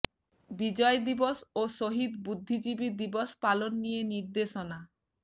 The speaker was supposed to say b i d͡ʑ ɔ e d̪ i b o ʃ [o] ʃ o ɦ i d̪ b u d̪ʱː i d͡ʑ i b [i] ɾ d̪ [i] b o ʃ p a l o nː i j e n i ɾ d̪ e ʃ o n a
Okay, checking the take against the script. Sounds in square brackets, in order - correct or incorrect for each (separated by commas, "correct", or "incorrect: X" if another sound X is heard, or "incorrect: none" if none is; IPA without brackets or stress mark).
correct, correct, correct